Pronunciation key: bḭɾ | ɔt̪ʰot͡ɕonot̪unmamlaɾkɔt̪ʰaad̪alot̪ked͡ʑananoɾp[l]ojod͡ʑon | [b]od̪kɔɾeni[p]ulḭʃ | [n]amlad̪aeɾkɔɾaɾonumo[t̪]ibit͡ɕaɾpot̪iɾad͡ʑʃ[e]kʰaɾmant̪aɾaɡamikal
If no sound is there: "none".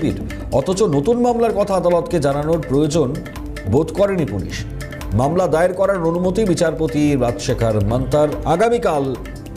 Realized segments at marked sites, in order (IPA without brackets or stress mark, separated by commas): ɾ, b, p, m, t̪, e